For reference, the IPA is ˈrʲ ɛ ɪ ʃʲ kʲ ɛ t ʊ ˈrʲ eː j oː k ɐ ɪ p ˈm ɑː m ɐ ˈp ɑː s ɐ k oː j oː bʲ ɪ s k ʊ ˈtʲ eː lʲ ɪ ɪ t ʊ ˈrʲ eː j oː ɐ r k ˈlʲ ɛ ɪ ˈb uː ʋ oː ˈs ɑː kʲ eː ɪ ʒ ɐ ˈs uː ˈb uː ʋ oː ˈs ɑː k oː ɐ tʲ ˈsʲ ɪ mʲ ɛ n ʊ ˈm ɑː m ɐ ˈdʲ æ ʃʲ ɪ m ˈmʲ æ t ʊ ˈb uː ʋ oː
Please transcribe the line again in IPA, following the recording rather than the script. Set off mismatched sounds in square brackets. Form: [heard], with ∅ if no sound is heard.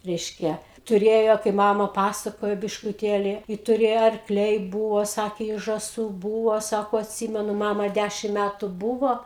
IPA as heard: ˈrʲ ɛ ɪ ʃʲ kʲ ɛ t ʊ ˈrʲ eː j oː k ɐ ɪ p ˈm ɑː m ɐ ˈp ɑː s ɐ k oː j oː bʲ ɪ [ʃ] k ʊ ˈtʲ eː lʲ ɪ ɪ t ʊ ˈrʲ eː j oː ɐ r k ˈlʲ ɛ ɪ ˈb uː ʋ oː ˈs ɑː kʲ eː ɪ ʒ ɐ ˈs uː ˈb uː ʋ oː ˈs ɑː k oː ɐ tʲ ˈsʲ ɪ mʲ ɛ n ʊ ˈm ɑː m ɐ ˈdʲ æ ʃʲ ɪ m ˈmʲ æ t ʊ ˈb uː ʋ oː

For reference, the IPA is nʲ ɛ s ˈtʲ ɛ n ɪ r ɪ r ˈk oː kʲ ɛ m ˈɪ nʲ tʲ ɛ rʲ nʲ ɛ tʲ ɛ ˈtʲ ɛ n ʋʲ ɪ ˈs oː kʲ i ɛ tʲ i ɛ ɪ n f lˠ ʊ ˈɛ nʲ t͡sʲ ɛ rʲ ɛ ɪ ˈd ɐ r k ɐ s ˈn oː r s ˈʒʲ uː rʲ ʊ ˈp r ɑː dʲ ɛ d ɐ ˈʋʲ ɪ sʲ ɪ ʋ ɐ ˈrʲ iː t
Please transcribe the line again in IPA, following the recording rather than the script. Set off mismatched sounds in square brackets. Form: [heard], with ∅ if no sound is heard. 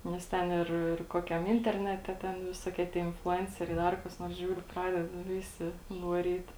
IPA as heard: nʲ ɛ s ˈtʲ ɛ n ɪ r ɪ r ˈk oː kʲ ɛ m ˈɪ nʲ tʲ ɛ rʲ nʲ ɛ tʲ ɛ ˈtʲ ɛ n ʋʲ ɪ ˈs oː kʲ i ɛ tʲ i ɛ ɪ n f lˠ ʊ ˈɛ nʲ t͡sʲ ɛ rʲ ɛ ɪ ˈd ɐ r k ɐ s ˈn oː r s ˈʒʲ uː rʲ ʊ ˈp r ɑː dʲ ɛ d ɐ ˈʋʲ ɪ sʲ ɪ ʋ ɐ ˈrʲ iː t

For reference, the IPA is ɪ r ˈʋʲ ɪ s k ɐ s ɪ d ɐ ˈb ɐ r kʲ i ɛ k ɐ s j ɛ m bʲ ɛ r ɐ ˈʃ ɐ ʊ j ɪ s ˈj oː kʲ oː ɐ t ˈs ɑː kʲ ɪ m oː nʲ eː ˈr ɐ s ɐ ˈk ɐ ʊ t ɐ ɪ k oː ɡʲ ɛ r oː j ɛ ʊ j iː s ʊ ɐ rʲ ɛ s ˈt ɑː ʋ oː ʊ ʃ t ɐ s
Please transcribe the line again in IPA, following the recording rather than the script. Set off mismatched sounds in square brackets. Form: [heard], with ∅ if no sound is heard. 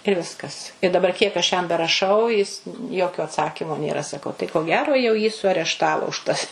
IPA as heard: ɪ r ˈʋʲ ɪ s k ɐ s ɪ d ɐ ˈb ɐ r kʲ i ɛ k ɐ [ʃ] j ɛ m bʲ ɛ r ɐ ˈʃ ɐ ʊ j ɪ s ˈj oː kʲ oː ɐ t ˈs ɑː kʲ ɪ m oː nʲ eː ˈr ɐ s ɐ ˈk ɐ ʊ t ɐ ɪ k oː ɡʲ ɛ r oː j ɛ ʊ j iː s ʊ ɐ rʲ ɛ [ʃ] ˈt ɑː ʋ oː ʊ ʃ t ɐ s

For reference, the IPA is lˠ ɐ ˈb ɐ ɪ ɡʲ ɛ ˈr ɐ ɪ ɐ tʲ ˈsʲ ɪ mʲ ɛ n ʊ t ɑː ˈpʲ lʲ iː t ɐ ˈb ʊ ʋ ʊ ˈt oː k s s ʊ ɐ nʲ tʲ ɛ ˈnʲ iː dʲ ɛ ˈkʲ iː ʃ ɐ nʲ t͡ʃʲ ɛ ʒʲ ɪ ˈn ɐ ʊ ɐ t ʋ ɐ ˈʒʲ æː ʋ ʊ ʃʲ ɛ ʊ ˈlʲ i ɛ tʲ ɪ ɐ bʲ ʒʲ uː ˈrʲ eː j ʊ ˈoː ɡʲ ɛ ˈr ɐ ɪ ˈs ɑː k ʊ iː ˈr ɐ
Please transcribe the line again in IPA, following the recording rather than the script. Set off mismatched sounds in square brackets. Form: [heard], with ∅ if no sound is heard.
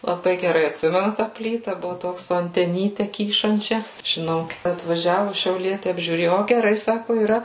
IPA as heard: lˠ ɐ ˈb ɐ ɪ ɡʲ ɛ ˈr ɐ ɪ ɐ tʲ ˈsʲ ɪ mʲ ɛ n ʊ t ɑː ˈpʲ lʲ iː t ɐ ˈb ʊ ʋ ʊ ˈt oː k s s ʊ ɐ nʲ tʲ ɛ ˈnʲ iː [tʲ] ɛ ˈkʲ iː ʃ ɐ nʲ t͡ʃʲ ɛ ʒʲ ɪ ˈn ɐ ʊ ɐ t ʋ ɐ ˈʒʲ æː ʋ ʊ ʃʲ ɛ ʊ ˈlʲ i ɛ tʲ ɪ ɐ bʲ ʒʲ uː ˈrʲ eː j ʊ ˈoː ɡʲ ɛ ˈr ɐ ɪ ˈs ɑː k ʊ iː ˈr ɐ

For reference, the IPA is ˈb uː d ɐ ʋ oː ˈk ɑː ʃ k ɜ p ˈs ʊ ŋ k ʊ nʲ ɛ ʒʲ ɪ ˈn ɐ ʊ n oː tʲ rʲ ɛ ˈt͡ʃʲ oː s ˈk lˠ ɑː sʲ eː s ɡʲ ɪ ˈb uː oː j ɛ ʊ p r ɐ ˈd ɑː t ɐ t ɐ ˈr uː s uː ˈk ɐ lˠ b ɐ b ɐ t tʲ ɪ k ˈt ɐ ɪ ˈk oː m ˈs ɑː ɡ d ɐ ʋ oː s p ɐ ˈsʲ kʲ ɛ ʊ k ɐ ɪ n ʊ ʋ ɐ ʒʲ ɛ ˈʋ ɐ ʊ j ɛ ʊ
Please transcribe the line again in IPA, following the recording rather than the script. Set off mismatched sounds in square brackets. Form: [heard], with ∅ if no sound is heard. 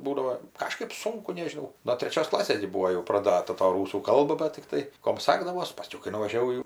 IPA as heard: ˈb uː d ɐ ʋ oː ˈk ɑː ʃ k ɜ p ˈs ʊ ŋ k ʊ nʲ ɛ ʒʲ ɪ ˈn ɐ ʊ n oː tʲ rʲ ɛ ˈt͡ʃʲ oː s ˈk lˠ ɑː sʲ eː s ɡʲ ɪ ˈb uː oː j ɛ ʊ p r ɐ ˈd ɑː t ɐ t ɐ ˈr uː s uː ˈk ɐ lˠ b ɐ b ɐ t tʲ ɪ k ˈt ɐ ɪ ˈk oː m ˈs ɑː ɡ d ɐ ʋ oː s p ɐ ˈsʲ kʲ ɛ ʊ k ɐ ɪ n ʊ ʋ ɐ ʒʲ ɛ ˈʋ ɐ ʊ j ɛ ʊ

